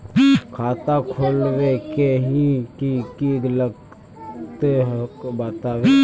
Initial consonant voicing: voiceless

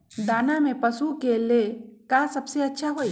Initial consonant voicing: voiced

